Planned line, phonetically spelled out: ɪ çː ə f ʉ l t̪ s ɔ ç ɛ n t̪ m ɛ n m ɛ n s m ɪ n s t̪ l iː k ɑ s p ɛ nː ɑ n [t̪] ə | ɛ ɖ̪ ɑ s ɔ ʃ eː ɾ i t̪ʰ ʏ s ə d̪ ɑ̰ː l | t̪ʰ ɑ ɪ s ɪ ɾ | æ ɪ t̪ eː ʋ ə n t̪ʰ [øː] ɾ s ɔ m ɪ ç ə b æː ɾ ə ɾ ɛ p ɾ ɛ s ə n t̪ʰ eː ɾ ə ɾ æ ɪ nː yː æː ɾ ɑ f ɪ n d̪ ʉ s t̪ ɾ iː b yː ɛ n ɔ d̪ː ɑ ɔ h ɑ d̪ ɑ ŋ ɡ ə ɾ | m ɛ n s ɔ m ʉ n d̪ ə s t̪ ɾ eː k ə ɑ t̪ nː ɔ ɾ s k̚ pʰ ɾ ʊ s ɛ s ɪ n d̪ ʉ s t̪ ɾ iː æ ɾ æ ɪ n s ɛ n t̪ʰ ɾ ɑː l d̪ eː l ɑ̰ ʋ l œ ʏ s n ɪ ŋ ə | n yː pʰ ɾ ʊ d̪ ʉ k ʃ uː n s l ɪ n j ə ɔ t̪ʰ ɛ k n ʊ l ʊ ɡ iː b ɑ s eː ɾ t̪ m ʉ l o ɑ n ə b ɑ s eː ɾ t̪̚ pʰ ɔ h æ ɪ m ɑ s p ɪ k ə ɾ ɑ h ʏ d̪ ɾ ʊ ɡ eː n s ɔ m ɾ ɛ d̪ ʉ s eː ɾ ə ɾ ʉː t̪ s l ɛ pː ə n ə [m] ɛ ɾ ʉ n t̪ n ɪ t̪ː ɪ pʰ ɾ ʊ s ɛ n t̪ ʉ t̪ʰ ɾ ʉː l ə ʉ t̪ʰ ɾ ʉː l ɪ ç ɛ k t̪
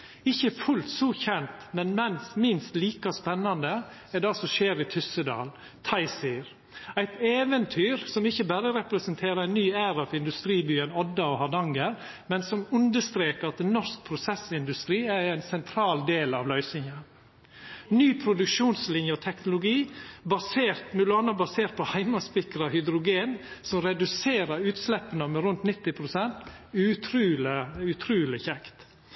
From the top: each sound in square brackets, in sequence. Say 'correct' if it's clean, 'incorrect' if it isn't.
incorrect, incorrect, correct

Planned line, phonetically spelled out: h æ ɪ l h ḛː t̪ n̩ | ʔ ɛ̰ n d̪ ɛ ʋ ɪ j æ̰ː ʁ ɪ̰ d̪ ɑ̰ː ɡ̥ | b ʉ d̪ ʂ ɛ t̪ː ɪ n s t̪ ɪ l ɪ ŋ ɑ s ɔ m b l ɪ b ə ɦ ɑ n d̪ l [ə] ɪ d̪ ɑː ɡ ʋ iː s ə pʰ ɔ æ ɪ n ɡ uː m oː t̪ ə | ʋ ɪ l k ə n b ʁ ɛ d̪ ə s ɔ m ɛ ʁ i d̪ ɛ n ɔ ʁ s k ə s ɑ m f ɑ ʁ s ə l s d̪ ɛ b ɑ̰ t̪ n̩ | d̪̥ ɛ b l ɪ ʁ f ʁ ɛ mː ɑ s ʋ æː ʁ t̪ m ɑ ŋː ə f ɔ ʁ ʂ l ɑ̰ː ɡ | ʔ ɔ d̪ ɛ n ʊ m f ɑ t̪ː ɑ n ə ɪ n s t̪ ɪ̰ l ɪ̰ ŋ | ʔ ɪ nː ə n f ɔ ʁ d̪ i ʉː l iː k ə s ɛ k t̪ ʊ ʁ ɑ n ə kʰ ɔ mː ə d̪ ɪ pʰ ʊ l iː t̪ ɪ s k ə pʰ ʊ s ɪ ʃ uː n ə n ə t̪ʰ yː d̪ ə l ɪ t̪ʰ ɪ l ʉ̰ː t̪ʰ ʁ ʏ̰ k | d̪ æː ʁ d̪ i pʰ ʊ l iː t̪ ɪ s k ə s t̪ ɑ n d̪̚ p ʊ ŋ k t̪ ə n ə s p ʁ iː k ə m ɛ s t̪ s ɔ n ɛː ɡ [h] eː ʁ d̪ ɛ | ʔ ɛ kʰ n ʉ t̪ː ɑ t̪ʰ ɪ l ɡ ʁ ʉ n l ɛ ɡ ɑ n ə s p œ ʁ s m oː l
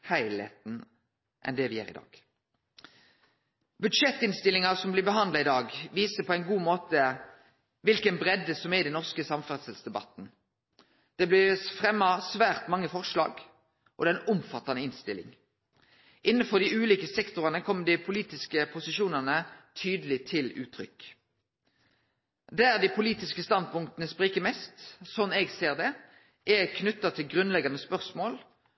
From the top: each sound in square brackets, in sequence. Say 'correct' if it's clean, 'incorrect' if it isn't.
incorrect, incorrect

